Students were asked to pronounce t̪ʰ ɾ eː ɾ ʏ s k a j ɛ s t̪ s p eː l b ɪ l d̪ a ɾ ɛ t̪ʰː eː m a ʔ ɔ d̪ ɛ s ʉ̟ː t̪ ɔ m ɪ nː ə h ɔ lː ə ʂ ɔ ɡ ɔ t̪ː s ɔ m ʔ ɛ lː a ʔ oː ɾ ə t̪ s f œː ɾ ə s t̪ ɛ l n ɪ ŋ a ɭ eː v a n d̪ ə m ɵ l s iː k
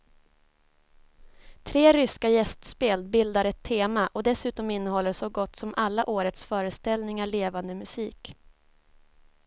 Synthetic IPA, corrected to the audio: t̪ʰ ɾ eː ɾ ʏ s k a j ɛ s t̪ s p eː l b ɪ l d̪ a ɾ ɛ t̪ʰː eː m a ʔ ɔ d̪ ɛ s ʉ̟ː t̪ ɔ m ɪ nː ə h ɔ lː ə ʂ ɔ ɡ ɔ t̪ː s ɔ m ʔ a lː a ʔ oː ɾ ə t̪ s f œː ɾ ə s t̪ ɛ l n ɪ ŋ a ɭ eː v a n d̪ ə m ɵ s iː k

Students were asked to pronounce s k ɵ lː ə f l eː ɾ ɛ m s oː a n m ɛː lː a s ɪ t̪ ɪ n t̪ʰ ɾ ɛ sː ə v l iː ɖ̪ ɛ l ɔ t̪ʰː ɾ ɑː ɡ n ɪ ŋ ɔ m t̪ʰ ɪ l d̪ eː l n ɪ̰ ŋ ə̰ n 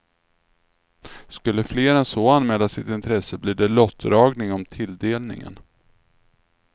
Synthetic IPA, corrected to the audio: s k ɵ lː ə f l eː ɾ ɛ n s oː a n m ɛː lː a s ɪ t̪ ɪ n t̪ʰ ɾ ɛ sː ə b l iː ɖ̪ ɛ l ɔ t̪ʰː ɾ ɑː ɡ n ɪ ŋ ɔ m t̪ʰ ɪ l d̪ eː l n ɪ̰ ŋ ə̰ n

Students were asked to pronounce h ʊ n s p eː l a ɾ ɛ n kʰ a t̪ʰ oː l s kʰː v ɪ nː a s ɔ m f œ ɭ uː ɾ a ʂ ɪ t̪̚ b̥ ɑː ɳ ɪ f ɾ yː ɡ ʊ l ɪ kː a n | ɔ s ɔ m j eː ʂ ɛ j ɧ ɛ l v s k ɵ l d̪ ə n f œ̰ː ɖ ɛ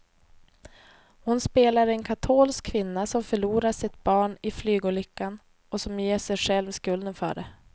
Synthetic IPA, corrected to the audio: h ʊ n s p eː l a ɾ ɛ n kʰ a t̪ʰ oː l s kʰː v ɪ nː a s ɔ m f œ ɭ uː ɾ a ʂ ɪ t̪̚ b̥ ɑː ɳ ɪ f l yː ɡ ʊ l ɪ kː a n | ɔ s ɔ m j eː ʂ ɛ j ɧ ɛ l v s k ɵ l d̪ ə n f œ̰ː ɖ ɛ

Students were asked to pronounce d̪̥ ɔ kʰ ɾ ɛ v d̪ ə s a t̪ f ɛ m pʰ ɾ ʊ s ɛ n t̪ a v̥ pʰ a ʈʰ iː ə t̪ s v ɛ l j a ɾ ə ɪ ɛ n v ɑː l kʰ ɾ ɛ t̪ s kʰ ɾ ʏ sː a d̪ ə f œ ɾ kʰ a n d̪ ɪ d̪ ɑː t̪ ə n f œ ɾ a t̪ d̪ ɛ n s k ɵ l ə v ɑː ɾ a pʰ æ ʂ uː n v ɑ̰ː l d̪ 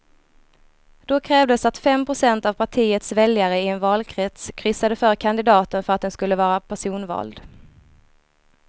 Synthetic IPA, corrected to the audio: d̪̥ ɔ kʰ ɾ ɛː v d̪ ə s a t̪ f ɛ m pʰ ɾ ʊ s ɛ n t̪ a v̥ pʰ a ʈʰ iː ə t̪ s v ɛ l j a ɾ ə ɪ ɛ n v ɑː l kʰ ɾ ɛ t̪ s kʰ ɾ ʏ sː a d̪ ə f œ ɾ kʰ a n d̪ ɪ d̪ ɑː t̪ ə n f œ ɾ a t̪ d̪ ɛ n s k ɵ lː ə v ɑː ɾ a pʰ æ ʂ uː n v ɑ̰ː l d̪

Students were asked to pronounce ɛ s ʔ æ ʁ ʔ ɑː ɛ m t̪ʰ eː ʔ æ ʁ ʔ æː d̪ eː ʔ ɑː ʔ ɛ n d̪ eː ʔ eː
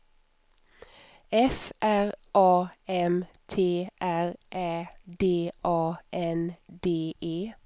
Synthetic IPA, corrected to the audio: ɛ f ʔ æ ʁ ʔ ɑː ɛ m t̪ʰ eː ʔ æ ʁ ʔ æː d̪ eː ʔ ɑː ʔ ɛ n d̪ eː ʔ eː

